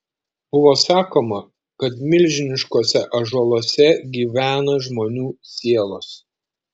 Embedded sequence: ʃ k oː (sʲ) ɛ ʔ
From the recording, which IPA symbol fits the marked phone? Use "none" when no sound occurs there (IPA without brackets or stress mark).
sʲ